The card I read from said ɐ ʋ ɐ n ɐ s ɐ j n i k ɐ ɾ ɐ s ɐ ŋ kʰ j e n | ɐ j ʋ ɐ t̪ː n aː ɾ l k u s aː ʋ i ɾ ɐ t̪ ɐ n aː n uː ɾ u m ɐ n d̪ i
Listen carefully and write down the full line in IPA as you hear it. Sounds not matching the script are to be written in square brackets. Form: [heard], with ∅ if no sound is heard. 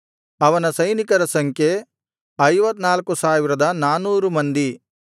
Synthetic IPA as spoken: ɐ ʋ ɐ n ɐ s ɐ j n i k ɐ ɾ ɐ s ɐ ŋ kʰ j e [∅] | ɐ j ʋ ɐ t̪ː n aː [∅] l k u s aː ʋ i ɾ ɐ [d̪] ɐ n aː n uː ɾ u m ɐ n d̪ i